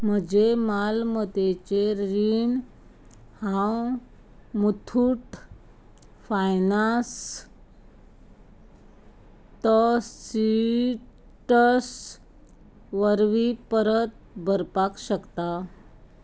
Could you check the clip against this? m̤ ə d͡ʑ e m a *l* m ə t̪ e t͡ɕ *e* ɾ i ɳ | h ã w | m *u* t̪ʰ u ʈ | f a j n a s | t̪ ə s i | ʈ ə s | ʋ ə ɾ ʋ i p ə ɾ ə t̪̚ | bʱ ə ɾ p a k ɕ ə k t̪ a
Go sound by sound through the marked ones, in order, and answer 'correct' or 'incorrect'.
correct, correct, correct

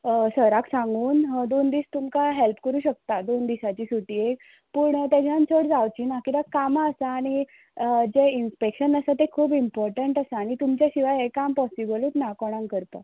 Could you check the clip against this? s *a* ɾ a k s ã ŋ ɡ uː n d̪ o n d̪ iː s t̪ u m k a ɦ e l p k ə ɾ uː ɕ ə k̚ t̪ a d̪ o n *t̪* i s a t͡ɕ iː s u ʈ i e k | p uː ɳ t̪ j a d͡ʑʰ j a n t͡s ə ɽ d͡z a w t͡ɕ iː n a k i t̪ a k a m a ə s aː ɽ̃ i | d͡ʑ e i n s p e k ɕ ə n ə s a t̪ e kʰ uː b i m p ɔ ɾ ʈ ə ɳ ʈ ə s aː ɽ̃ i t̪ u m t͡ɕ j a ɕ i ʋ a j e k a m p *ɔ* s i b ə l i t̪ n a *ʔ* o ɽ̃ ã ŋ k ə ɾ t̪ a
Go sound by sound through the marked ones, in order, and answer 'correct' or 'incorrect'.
incorrect: ə, incorrect: d̪, correct, incorrect: k

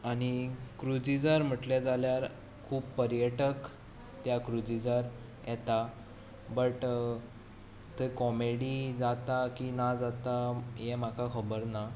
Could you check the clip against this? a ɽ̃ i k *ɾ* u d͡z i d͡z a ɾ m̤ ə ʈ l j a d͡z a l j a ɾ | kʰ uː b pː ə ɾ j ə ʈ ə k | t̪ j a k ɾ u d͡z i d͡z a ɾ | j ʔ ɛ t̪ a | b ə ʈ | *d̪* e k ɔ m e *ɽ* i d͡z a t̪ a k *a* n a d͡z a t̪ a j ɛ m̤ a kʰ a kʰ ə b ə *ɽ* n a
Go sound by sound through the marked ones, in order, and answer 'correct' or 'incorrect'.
correct, incorrect: t̪, correct, incorrect: i, incorrect: ɾ

